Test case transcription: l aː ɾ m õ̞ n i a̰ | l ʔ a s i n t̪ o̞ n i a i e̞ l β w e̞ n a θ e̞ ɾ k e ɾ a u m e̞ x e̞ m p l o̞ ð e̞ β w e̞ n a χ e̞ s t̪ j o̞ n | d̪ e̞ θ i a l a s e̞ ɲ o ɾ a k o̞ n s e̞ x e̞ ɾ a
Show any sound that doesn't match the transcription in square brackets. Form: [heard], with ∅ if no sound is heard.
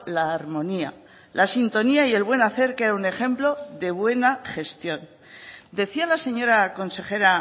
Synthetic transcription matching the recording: l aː ɾ m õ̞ n i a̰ | l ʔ a s i n t̪ o̞ n i a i e̞ l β w e̞ n a θ e̞ ɾ k e ɾ a u [n] e̞ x e̞ m p l o̞ ð e̞ β w e̞ n a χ e̞ s t̪ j o̞ n | d̪ e̞ θ i a l a s e̞ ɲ o ɾ a k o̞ n s e̞ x e̞ ɾ a